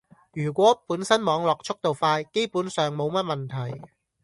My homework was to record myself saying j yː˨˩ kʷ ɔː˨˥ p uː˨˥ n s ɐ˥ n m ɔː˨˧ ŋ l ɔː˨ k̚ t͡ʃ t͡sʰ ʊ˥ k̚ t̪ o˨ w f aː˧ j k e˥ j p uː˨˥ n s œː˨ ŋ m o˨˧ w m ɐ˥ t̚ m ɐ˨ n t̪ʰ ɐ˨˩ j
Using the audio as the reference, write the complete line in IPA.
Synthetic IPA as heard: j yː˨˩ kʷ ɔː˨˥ p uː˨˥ n s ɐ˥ n m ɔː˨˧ ŋ l ɔː˨ k̚ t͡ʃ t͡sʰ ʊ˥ k̚ t̪ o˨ w f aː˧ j k e˥ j p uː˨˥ n s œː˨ ŋ m o˨˧ w m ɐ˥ t̚ m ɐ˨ n t̪ʰ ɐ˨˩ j

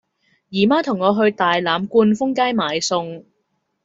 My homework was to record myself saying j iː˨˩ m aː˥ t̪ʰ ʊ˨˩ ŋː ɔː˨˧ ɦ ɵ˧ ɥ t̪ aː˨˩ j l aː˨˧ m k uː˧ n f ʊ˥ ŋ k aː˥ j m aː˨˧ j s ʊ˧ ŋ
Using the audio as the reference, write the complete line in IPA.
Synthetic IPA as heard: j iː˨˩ m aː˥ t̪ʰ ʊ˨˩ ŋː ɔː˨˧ ɦ ɵ˧ ɥ t̪ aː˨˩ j l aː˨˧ m k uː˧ n f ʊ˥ ŋ k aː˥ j m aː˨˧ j s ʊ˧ ŋ

